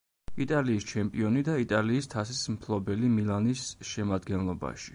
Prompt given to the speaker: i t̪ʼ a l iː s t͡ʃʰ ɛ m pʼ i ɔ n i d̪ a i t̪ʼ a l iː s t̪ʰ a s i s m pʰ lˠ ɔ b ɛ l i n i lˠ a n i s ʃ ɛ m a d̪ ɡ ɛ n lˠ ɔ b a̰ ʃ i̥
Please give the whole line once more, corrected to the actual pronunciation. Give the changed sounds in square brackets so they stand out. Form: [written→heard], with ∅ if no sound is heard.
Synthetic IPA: i t̪ʼ a l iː s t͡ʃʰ ɛ m pʼ i ɔ n i d̪ a i t̪ʼ a l iː s t̪ʰ a s i s m pʰ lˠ ɔ b ɛ l i [n→m] i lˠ a n i s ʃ ɛ m a d̪ ɡ ɛ n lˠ ɔ b a̰ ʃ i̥